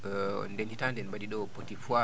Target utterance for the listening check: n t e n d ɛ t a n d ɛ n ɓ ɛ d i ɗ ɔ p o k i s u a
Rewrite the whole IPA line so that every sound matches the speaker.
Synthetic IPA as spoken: n d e n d i t a n d ɛ n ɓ a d i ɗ ɔ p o t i f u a